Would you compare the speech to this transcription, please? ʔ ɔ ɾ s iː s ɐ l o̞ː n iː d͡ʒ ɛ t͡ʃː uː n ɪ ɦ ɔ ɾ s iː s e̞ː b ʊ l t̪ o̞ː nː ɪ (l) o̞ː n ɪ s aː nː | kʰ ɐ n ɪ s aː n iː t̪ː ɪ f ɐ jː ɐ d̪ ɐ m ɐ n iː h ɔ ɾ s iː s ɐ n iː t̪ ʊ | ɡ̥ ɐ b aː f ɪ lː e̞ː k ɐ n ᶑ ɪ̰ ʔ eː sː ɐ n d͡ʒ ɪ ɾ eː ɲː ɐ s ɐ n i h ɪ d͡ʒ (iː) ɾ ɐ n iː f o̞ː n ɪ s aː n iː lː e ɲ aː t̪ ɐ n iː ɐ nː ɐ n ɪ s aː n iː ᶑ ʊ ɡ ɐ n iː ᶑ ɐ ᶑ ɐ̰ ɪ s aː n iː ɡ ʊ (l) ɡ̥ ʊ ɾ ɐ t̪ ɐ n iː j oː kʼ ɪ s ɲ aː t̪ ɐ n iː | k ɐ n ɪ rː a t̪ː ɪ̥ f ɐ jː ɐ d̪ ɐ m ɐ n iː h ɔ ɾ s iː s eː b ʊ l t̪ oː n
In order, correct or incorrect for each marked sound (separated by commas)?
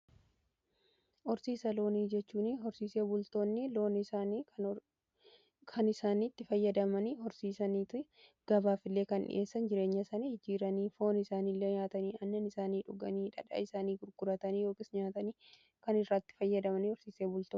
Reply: correct, correct, incorrect